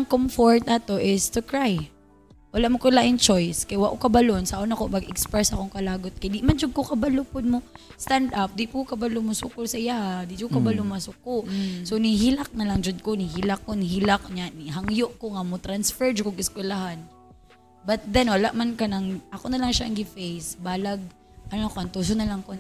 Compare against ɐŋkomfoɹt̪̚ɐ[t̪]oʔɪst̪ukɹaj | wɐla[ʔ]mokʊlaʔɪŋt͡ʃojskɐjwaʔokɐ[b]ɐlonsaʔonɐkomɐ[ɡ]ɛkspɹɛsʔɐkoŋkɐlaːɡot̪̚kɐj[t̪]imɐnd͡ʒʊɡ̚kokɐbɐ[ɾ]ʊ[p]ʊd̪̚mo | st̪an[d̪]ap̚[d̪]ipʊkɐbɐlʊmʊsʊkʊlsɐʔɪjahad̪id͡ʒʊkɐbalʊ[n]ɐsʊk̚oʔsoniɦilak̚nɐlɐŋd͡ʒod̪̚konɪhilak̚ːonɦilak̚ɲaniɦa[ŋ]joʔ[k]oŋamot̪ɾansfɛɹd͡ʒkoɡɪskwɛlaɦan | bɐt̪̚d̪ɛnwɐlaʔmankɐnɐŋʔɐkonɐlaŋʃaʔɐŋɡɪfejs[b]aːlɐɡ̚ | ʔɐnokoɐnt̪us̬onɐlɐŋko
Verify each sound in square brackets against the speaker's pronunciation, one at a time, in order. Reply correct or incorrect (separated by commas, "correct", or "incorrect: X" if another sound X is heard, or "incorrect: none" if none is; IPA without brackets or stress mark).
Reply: correct, correct, correct, correct, incorrect: d̪, incorrect: l, correct, correct, correct, incorrect: m, correct, correct, correct